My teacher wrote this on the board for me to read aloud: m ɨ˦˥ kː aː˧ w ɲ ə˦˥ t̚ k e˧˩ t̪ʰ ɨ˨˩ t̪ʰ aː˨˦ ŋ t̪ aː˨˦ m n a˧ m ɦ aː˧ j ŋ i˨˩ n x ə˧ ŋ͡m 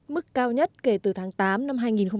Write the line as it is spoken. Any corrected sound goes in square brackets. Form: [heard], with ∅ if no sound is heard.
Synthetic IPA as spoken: m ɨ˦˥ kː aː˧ w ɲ ə˦˥ t̚ k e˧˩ [t̪] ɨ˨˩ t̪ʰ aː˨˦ ŋ t̪ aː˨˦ m n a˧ m ɦ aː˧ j ŋ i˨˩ n x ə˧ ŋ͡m